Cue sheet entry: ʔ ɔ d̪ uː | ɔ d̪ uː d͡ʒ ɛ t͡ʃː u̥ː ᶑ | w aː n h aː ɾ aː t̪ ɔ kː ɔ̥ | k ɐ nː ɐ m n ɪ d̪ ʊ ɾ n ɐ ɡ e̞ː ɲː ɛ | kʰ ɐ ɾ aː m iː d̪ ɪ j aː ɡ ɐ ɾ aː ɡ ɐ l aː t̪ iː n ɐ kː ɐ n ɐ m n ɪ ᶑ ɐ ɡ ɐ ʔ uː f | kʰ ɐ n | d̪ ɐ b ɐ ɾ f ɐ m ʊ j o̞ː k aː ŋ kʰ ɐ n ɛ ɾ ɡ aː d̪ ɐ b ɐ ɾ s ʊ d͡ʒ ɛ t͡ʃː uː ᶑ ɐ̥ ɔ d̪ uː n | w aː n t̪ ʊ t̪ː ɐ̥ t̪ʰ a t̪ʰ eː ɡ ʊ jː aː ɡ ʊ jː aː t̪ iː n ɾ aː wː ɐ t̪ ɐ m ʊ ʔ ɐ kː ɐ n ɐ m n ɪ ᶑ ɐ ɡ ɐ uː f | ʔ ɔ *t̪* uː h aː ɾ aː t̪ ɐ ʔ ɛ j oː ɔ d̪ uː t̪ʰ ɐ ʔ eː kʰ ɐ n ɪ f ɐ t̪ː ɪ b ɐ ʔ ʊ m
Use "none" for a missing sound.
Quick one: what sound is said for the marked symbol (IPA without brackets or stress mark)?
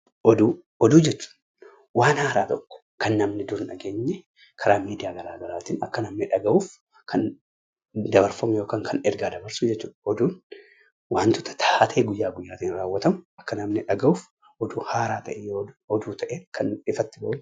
d̪